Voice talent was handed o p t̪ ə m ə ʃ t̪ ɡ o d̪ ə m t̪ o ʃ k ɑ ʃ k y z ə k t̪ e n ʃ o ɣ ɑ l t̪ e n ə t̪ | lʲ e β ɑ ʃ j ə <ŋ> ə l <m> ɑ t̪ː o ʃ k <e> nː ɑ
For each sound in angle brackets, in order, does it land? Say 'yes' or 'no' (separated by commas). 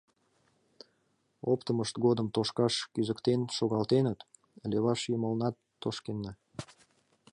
no, no, yes